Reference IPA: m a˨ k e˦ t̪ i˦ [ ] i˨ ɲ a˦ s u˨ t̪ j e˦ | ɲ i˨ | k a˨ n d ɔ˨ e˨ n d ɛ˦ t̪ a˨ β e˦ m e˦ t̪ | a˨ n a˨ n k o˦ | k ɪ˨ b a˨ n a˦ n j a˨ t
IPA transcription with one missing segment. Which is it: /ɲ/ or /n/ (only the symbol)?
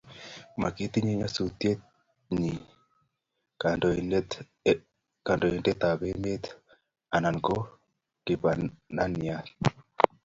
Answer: ɲ